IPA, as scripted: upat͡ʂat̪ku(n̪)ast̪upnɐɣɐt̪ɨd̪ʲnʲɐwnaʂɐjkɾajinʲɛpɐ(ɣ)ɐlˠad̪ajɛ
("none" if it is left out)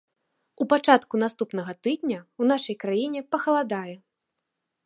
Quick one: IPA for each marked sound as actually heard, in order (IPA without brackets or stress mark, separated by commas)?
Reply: n̪, x